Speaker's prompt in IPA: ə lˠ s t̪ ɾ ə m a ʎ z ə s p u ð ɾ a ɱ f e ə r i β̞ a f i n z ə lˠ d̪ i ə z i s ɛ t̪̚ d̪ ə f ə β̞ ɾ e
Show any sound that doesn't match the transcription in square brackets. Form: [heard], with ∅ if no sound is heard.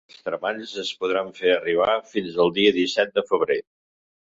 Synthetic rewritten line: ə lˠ s t̪ ɾ ə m a ʎ z ə s p u ð ɾ a ɱ f e ə r i β̞ a f i n z ə lˠ d̪ i ə [ð] i s ɛ t̪̚ d̪ ə f ə β̞ ɾ e